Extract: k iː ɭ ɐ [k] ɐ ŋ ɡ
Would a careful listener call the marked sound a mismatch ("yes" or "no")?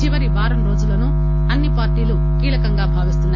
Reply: no